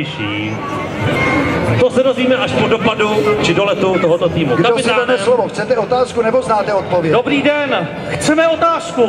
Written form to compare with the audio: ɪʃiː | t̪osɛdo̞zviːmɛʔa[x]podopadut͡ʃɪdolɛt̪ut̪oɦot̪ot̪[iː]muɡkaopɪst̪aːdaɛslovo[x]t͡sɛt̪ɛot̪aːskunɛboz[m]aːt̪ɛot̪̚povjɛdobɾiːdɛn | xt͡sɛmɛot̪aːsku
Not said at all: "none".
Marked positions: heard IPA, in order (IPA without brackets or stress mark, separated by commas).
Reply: ʃ, iː, x, n